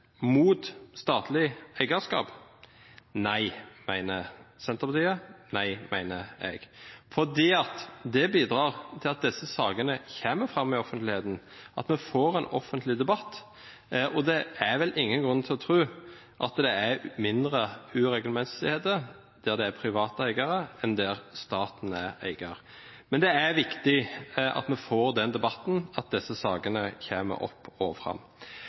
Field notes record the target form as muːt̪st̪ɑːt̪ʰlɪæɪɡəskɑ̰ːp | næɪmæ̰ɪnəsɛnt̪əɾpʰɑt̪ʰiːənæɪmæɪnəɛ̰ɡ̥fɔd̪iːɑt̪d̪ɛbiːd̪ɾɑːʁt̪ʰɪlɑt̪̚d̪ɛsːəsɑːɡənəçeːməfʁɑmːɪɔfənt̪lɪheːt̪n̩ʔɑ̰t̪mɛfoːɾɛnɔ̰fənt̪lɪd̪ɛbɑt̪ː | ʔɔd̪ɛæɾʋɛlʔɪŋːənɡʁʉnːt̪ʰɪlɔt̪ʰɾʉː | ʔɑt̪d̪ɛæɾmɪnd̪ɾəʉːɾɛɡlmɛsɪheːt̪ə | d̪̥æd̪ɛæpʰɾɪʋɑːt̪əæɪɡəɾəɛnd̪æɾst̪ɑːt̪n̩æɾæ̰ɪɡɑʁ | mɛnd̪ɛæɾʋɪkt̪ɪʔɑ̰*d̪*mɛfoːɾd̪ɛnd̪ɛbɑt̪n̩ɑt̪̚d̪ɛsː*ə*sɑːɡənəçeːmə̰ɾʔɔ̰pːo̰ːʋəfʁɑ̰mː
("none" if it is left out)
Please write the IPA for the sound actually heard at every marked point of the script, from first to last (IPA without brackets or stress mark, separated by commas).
t̪, ə